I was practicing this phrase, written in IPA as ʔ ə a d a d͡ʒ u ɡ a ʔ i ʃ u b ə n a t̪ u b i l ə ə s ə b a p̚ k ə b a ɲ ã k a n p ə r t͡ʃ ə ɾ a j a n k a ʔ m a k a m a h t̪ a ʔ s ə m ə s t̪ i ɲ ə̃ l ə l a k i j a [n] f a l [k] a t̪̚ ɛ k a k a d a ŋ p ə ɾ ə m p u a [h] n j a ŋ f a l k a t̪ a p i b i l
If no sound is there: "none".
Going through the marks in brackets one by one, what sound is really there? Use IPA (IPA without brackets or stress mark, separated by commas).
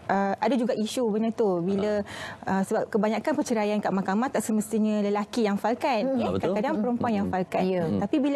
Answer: ŋ, k, none